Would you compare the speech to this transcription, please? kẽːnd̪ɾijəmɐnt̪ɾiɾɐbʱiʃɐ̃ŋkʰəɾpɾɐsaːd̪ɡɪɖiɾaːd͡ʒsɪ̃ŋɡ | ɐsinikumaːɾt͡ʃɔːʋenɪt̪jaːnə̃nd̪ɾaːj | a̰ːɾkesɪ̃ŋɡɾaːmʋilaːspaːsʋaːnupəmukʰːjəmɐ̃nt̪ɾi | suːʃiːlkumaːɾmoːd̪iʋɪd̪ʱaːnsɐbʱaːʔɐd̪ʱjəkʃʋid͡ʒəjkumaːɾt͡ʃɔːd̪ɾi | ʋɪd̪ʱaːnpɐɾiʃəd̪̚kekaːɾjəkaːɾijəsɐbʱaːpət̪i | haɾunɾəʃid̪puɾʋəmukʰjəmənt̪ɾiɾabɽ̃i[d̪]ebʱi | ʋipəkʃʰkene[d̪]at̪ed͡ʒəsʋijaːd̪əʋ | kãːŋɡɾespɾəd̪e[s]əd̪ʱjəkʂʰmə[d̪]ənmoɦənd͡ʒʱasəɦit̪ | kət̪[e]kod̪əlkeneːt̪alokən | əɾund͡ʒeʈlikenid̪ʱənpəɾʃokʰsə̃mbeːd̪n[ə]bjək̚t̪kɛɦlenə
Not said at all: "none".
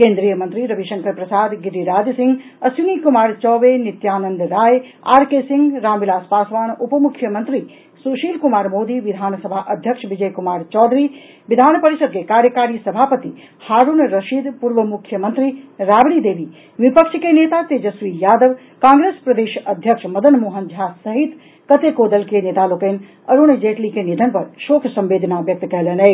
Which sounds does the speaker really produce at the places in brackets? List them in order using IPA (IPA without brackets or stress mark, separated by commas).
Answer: d̪, t̪, ʃ, d̪, e, a